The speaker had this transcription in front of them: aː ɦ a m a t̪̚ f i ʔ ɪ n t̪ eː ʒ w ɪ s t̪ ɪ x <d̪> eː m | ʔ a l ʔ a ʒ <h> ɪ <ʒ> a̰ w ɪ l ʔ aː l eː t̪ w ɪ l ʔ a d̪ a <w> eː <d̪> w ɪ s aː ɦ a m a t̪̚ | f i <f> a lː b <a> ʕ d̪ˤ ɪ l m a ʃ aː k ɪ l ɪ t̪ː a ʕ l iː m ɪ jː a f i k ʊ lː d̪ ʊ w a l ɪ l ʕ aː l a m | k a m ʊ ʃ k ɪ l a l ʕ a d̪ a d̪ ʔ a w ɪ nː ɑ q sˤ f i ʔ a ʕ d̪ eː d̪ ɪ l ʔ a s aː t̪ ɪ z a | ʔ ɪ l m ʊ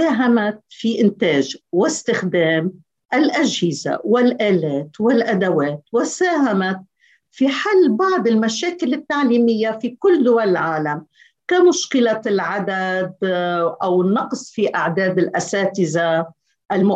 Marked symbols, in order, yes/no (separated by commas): yes, yes, no, yes, no, no, no